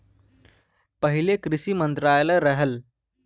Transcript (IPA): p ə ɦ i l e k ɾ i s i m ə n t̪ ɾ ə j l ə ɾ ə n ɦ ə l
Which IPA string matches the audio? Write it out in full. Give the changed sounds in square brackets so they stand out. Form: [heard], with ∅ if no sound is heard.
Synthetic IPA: p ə ɦ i l e k ɾ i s i m ə n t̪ ɾ [a] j l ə ɾ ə [∅] ɦ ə l